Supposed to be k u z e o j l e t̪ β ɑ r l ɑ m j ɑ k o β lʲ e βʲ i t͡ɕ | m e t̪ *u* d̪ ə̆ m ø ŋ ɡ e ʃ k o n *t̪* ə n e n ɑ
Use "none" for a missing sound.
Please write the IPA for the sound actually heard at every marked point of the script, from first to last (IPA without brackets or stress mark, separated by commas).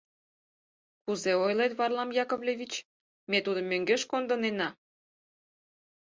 u, d̪